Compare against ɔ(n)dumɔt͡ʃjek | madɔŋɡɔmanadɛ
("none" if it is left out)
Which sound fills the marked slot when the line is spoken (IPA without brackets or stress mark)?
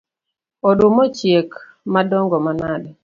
none